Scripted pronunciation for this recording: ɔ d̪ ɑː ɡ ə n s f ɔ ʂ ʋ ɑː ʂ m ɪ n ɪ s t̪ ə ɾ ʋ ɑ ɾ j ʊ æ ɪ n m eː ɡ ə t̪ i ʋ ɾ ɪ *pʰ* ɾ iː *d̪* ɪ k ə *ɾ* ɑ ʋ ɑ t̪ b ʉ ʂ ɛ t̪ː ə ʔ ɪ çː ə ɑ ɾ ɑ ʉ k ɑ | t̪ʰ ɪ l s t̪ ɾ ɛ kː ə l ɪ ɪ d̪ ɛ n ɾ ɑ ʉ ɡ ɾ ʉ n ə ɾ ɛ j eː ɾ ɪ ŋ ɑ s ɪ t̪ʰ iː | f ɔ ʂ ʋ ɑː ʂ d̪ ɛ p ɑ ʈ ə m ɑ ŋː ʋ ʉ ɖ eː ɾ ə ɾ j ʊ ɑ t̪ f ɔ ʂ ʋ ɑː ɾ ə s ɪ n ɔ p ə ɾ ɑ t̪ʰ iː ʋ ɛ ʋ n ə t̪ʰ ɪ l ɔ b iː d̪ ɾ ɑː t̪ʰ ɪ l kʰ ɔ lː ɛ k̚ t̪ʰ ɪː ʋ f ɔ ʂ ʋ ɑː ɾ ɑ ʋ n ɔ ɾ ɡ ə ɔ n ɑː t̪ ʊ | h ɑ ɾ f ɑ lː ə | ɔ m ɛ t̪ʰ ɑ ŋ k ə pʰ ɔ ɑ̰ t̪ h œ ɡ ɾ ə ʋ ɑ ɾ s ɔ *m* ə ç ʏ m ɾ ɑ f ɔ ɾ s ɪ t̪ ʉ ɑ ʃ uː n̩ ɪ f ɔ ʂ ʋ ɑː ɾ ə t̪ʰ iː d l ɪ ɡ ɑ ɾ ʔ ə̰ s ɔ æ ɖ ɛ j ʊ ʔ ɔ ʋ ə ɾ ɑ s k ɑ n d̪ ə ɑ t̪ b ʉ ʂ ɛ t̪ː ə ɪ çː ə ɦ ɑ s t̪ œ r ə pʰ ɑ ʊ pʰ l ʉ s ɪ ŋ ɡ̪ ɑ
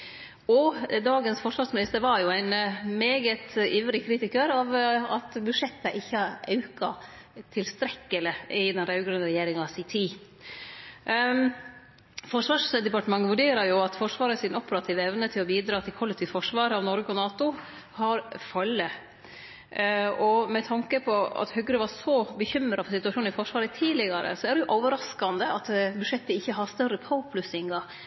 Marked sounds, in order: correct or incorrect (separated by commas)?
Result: incorrect, incorrect, correct, incorrect